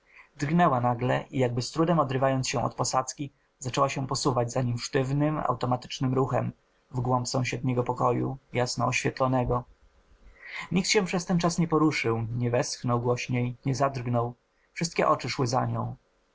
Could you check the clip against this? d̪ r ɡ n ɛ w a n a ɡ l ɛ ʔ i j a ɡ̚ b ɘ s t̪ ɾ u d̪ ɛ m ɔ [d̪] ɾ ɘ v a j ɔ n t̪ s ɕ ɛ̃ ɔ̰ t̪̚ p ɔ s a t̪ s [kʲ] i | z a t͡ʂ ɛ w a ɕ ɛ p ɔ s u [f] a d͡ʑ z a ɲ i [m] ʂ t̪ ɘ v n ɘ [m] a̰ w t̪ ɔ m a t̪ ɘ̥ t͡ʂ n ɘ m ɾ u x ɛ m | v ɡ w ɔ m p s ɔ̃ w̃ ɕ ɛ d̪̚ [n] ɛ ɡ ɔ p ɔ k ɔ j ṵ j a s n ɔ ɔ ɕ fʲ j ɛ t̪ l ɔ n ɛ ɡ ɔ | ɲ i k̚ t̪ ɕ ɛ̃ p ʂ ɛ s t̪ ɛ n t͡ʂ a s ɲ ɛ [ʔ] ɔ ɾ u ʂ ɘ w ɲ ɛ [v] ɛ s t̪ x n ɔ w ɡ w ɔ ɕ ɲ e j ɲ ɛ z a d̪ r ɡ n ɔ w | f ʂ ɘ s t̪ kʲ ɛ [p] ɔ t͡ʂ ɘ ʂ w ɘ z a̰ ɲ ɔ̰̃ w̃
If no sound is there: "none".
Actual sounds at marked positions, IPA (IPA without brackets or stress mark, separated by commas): d̪, kʲ, v, m, m, ɲ, p, v, ʔ